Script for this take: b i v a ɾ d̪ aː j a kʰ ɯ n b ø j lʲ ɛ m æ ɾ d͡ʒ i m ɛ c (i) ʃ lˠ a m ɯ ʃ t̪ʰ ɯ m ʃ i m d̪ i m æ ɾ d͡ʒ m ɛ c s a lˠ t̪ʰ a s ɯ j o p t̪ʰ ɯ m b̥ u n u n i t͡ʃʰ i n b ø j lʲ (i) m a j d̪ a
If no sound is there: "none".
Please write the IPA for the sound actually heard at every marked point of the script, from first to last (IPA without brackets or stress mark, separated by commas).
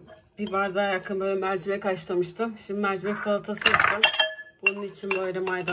a, ɛ